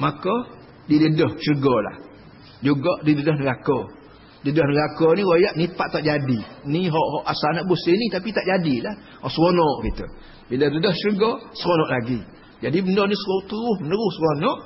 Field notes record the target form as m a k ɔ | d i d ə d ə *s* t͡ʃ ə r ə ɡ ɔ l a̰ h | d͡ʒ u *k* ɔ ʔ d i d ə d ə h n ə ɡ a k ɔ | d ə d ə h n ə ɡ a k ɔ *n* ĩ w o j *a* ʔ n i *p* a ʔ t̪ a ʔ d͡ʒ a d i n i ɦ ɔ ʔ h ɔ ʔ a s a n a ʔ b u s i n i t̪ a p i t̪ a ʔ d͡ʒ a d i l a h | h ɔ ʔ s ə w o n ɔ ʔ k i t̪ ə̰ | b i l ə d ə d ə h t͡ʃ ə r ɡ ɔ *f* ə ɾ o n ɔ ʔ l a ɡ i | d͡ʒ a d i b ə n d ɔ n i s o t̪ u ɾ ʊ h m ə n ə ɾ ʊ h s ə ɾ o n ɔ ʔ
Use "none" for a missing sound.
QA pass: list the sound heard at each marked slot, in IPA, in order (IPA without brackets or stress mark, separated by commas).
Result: h, ɡ, n, a, p, s